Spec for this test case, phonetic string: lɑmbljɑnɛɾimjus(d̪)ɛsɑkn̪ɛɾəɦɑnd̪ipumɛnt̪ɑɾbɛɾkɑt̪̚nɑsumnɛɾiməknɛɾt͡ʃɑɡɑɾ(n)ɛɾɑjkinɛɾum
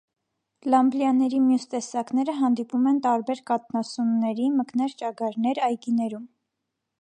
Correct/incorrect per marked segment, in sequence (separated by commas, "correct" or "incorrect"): incorrect, correct